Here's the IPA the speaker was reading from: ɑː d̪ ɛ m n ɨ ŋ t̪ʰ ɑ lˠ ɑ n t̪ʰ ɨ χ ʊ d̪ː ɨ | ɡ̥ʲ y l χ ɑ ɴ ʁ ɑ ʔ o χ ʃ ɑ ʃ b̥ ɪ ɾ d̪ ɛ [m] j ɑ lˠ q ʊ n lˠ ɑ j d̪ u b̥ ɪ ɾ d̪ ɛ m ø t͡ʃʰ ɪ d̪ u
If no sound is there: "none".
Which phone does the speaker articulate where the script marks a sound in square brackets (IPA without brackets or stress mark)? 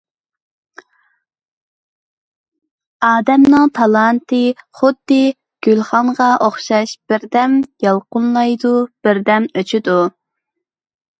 m